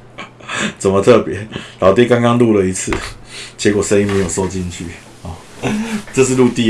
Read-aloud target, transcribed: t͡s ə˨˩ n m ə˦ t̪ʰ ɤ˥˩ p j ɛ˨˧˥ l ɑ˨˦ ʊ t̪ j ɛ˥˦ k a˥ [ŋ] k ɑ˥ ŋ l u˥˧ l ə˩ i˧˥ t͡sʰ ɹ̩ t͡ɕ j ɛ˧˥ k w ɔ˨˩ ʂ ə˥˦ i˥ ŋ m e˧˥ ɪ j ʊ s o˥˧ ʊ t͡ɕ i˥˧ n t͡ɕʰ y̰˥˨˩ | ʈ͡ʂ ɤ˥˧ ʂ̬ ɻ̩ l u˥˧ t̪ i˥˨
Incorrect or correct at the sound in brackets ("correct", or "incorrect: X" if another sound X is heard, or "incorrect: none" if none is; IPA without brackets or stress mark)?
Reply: correct